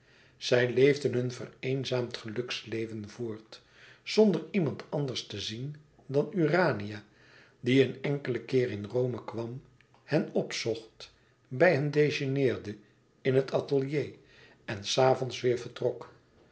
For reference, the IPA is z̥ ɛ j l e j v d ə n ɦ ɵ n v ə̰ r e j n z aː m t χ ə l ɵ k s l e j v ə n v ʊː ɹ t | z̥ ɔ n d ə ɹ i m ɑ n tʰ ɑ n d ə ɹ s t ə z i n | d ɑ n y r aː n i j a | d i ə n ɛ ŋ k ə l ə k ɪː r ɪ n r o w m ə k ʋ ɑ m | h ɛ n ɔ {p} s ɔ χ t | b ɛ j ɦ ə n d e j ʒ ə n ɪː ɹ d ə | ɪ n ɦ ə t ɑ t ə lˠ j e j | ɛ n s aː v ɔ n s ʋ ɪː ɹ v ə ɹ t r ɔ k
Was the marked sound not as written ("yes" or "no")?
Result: no